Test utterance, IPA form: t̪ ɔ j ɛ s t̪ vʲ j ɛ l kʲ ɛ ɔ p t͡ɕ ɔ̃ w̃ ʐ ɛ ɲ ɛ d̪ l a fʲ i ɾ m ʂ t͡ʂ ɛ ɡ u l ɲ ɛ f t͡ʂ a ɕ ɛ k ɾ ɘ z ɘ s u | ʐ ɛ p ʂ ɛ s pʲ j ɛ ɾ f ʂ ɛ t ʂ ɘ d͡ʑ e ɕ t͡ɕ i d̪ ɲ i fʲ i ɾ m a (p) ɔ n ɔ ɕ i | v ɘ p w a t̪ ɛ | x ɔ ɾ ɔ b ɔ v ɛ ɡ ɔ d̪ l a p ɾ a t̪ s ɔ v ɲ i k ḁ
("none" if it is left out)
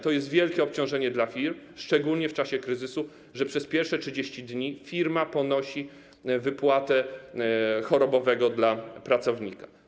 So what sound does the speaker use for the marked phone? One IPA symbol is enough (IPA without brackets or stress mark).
p